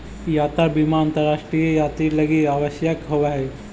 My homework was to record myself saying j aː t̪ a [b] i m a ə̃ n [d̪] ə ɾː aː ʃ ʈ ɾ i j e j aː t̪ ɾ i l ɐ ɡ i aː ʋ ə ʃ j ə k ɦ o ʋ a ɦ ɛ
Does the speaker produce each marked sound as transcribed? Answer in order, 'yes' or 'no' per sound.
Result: yes, no

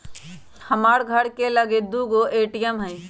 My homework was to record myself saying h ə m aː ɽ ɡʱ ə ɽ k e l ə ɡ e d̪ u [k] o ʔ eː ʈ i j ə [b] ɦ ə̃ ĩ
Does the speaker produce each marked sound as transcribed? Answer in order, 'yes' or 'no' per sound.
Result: no, no

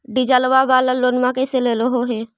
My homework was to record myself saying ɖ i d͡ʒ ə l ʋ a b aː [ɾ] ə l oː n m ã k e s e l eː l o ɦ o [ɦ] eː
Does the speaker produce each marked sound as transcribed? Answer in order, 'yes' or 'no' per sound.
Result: no, yes

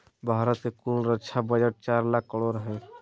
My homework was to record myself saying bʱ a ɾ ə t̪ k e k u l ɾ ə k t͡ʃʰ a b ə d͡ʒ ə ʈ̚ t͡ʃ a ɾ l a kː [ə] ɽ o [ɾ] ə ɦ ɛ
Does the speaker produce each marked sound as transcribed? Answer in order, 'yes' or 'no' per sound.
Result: yes, yes

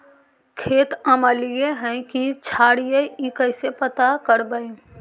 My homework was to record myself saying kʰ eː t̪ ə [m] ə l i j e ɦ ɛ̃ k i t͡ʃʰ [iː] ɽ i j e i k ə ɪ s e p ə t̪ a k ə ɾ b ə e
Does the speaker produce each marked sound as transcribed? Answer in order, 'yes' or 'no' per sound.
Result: yes, no

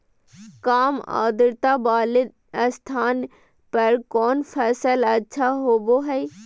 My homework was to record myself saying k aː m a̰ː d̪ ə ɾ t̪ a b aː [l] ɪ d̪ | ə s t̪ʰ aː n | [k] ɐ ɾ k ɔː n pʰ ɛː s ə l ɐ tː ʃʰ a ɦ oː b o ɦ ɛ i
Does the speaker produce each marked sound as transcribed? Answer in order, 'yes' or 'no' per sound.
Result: yes, no

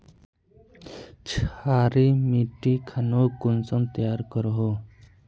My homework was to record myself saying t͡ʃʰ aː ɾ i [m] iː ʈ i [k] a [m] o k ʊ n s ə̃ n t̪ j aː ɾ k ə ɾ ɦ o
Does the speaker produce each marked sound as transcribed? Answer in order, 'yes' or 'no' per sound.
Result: yes, no, no

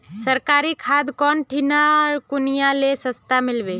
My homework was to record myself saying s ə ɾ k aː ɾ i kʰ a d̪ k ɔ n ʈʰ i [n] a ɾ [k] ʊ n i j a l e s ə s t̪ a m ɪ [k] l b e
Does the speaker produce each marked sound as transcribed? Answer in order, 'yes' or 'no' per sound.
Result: yes, yes, no

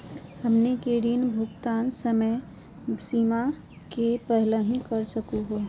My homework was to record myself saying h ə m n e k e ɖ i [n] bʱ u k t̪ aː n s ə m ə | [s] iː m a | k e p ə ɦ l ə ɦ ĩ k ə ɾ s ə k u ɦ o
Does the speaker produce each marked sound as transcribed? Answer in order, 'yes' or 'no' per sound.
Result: yes, yes

